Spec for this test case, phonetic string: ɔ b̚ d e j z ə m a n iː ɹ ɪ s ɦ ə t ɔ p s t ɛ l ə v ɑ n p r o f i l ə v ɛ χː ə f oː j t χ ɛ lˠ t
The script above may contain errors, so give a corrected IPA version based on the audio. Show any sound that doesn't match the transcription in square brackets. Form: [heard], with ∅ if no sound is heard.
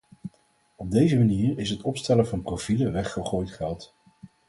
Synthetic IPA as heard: ɔ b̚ d e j z ə m a n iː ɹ ɪ s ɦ ə t ɔ p s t ɛ l ə v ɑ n p r o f i l ə [ʋ] ɛ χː ə [χ] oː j t χ ɛ lˠ t